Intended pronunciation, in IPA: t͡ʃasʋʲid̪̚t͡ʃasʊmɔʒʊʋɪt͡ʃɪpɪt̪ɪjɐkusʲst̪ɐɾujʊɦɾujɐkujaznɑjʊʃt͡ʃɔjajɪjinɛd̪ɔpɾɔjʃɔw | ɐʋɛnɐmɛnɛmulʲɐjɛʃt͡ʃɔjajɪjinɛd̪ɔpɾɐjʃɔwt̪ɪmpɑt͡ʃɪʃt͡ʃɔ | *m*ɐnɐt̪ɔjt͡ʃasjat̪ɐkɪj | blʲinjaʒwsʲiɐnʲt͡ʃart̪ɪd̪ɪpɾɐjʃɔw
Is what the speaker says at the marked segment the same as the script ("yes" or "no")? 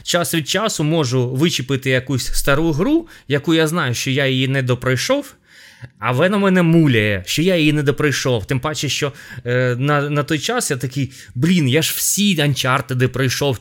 no